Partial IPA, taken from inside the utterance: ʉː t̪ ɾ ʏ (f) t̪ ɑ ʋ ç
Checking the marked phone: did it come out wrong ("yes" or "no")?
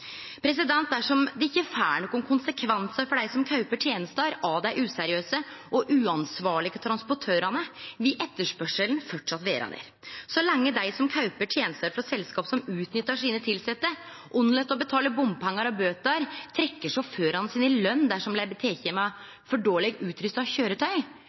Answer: yes